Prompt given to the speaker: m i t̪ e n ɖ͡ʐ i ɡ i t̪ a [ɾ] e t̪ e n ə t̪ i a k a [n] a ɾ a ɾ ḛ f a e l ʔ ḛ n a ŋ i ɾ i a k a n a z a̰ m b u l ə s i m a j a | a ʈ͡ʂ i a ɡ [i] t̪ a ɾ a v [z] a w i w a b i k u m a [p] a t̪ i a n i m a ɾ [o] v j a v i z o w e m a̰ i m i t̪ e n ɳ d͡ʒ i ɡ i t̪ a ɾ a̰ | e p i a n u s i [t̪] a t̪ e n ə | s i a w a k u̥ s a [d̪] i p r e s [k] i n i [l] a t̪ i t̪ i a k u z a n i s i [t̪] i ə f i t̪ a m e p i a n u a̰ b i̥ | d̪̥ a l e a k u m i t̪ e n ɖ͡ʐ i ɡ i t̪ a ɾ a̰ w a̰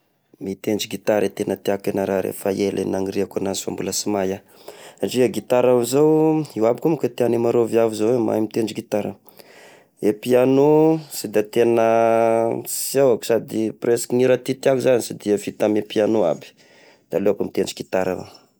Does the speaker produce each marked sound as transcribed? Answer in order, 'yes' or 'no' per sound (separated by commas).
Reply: yes, yes, yes, yes, no, yes, no, yes, yes, no, no